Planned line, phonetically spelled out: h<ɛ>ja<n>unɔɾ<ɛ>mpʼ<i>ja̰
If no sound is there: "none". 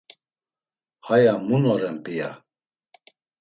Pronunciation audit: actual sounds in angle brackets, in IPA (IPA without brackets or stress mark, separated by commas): a, m, ɛ, i